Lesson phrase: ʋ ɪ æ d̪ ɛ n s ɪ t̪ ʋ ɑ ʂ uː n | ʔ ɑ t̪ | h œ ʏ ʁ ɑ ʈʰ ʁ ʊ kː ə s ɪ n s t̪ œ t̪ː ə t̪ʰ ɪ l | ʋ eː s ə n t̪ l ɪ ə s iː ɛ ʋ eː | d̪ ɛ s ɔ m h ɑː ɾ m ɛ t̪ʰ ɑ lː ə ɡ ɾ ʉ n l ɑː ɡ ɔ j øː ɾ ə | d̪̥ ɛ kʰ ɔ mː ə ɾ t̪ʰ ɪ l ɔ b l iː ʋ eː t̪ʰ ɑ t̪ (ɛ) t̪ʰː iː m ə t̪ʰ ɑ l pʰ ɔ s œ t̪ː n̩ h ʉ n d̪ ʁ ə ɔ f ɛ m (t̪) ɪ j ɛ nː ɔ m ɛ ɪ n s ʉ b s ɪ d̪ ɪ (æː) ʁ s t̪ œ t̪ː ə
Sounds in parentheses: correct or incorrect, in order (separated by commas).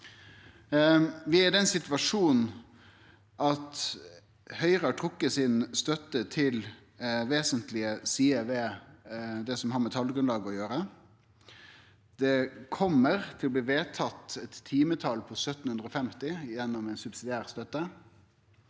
correct, correct, correct